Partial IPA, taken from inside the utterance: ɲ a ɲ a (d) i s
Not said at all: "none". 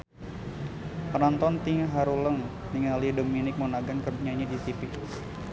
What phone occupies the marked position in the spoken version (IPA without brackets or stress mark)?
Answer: d